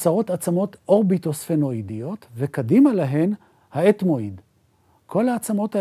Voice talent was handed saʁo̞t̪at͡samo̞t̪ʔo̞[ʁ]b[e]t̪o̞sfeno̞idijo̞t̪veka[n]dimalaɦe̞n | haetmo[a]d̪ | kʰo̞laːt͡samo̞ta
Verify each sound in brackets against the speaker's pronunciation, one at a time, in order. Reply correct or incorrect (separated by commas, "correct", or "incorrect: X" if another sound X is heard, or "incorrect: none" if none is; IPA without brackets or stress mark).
correct, incorrect: i, incorrect: none, incorrect: i